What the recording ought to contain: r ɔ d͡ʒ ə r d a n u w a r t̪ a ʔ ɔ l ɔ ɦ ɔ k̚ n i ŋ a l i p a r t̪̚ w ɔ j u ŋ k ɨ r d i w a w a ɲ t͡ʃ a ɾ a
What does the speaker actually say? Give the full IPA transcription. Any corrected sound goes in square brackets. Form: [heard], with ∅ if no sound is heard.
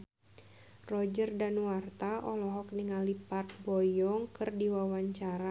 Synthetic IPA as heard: r ɔ d͡ʒ ə r d a n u w a r t̪ a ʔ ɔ l ɔ ɦ ɔ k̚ n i ŋ a l i p a r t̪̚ [b] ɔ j [ɔ] ŋ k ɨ r d i w a w a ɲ t͡ʃ a ɾ a

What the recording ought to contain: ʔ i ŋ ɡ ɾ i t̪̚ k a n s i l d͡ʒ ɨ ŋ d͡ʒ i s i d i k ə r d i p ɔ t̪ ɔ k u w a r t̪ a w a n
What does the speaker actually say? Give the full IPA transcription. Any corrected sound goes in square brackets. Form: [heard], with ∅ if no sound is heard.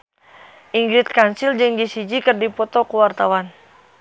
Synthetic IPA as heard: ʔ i ŋ ɡ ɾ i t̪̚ k a n s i l d͡ʒ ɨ ŋ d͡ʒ i s i [d͡ʒ] i k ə r d i p ɔ t̪ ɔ k u w a r t̪ a w a n

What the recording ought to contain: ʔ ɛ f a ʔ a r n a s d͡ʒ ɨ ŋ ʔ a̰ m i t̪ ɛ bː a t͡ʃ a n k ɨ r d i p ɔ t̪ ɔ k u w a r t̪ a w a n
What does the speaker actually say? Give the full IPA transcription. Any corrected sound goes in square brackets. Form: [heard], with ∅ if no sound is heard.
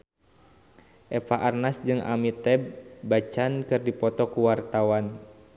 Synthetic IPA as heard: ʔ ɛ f a ʔ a r n a s d͡ʒ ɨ ŋ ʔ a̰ m i t̪ ɛ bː a t͡ʃ a n k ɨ r d i p ɔ t̪ ɔ k u w a r t̪ a w a n

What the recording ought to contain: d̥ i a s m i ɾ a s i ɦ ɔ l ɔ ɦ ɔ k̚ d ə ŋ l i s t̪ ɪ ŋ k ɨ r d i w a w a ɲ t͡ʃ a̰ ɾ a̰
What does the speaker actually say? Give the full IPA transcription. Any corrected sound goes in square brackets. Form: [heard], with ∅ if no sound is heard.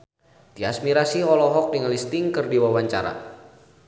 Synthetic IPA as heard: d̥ i a s m i ɾ a s i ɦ ɔ l ɔ ɦ ɔ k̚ d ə ŋ l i s t̪ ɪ ŋ k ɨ r d i w a w a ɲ t͡ʃ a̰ ɾ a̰

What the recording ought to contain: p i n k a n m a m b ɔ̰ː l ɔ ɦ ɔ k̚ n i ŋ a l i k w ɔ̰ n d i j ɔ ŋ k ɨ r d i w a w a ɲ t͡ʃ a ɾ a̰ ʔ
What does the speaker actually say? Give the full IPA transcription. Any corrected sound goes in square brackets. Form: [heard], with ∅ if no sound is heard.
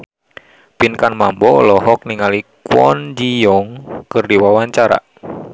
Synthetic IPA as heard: p i n k a n m a m b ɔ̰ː l ɔ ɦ ɔ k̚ n i ŋ a l i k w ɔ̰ n [d͡ʒ] i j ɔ ŋ k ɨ r d i w a w a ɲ t͡ʃ a ɾ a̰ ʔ

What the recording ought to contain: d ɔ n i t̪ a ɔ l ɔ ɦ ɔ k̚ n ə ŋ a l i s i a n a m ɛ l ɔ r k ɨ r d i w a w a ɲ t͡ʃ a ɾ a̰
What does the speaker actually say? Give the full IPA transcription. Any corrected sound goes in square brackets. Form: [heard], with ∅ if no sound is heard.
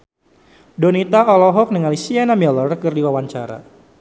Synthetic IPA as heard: d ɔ n i t̪ a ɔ l ɔ ɦ ɔ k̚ n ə ŋ a l i s i a n a m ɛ l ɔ r k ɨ r d i w a w a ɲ t͡ʃ a ɾ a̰

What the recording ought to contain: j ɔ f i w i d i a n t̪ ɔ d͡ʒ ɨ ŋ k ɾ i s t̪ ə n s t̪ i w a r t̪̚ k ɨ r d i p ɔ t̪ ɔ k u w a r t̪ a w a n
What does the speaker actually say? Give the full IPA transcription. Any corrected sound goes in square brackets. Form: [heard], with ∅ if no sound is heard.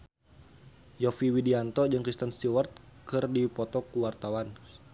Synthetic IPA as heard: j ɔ f i w i d i a n t̪ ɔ d͡ʒ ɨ ŋ k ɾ i s t̪ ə n s t̪ i w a r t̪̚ k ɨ r d i p ɔ t̪ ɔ k u w a r t̪ a w a n

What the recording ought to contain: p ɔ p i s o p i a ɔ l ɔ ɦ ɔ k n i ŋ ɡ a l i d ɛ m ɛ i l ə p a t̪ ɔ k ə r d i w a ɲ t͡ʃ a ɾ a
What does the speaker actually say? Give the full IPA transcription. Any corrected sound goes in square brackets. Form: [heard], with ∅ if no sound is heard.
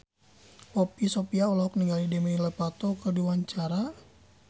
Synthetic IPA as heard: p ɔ p i s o p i a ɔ l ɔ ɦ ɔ k n i ŋ ɡ a l i d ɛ m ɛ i l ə p a t̪ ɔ k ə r d i w a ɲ t͡ʃ a ɾ a

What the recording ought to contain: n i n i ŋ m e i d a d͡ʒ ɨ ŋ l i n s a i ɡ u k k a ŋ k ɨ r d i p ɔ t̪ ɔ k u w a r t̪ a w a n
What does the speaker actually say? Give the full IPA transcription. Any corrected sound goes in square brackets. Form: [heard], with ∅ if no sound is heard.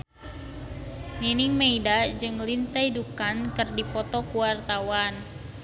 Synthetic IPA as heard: n i n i ŋ m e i d a d͡ʒ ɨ ŋ l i n s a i [d] u k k a [n] k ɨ r d i p ɔ t̪ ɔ k u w a r t̪ a w a n

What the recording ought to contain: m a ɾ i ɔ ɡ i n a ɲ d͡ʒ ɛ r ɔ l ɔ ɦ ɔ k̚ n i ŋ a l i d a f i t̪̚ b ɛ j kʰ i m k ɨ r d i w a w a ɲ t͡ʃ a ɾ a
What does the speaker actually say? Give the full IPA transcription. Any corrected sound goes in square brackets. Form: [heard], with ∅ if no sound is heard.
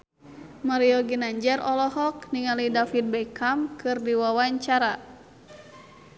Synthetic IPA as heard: m a ɾ i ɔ ɡ i n a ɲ d͡ʒ ɛ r ɔ l ɔ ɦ ɔ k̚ n i ŋ a l i d a f i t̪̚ b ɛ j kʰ [a] m k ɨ r d i w a w a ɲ t͡ʃ a ɾ a

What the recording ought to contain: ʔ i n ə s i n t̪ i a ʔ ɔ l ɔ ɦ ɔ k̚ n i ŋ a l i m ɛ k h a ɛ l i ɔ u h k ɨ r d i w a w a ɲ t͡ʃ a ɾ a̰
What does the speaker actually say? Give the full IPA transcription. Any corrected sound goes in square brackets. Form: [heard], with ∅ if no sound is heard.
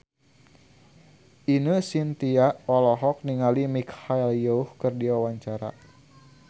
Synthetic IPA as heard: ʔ i n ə s i n t̪ i a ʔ ɔ l ɔ ɦ ɔ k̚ n i ŋ a l i m [i] k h a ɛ l [j] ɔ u h k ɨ r d i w a w a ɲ t͡ʃ a ɾ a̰

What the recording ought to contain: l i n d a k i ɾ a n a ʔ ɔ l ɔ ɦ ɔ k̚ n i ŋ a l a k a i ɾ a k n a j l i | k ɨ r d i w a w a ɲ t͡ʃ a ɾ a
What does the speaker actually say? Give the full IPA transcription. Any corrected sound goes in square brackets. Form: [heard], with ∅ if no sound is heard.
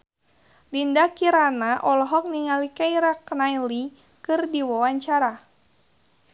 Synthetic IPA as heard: l i n d a k i ɾ a n a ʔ ɔ l ɔ ɦ ɔ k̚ n i ŋ a l [i] k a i ɾ a k n a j l i | k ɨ r d i w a w a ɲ t͡ʃ a ɾ a

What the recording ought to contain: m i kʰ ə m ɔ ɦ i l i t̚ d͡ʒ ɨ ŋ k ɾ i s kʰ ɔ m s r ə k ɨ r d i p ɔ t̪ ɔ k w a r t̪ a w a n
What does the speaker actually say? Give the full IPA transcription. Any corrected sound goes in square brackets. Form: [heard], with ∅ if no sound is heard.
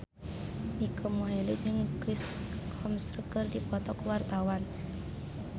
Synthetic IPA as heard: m i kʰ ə m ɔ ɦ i l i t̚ d͡ʒ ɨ ŋ k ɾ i s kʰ ɔ m s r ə k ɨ r d i p ɔ t̪ ɔ k w a r t̪ a w a n

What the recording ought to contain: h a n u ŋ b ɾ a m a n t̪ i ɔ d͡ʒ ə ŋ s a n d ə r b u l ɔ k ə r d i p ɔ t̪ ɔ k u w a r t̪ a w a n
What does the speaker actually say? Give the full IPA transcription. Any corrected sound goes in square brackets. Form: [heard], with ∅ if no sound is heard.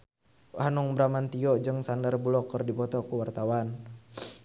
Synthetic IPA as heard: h a n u ŋ b ɾ a m a n t̪ i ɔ d͡ʒ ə ŋ s a n d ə r b u l ɔ k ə r d i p ɔ t̪ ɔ k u w a r t̪ a w a n

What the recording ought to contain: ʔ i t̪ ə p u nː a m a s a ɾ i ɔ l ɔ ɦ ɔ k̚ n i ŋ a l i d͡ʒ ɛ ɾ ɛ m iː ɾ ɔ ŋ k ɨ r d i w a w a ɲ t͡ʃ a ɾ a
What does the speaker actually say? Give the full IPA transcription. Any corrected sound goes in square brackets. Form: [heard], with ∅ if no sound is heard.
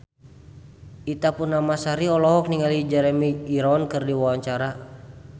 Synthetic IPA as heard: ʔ i t̪ [a] p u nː a m a s a ɾ i ɔ l ɔ ɦ ɔ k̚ n i ŋ a l i d͡ʒ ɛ ɾ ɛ m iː ɾ ɔ [n] k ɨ r d i w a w a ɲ t͡ʃ a ɾ a

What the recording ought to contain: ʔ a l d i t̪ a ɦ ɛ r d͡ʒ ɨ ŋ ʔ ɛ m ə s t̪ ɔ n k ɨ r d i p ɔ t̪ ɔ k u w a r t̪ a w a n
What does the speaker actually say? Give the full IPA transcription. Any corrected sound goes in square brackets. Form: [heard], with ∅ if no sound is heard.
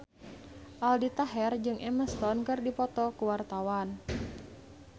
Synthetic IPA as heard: ʔ a l d i t̪ a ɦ ɛ r d͡ʒ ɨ ŋ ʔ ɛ m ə s t̪ ɔ n k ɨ r d i p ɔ t̪ ɔ k u w a r t̪ a w a n

